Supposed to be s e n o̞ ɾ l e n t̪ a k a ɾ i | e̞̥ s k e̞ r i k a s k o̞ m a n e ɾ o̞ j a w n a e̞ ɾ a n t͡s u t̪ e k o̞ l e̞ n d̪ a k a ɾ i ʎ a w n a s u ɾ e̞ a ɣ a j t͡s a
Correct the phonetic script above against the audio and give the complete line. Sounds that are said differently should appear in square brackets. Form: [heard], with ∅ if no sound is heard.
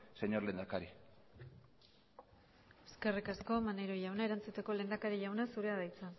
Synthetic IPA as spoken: s e [ɲ] o̞ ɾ l e n [d̪] a k a ɾ i | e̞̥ s k e̞ r i k a s k o̞ m a n e ɾ o̞ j a w n a e̞ ɾ a n t͡s u t̪ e k o̞ l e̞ n d̪ a k a ɾ i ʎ a w n a s u ɾ e̞ a [ð] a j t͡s a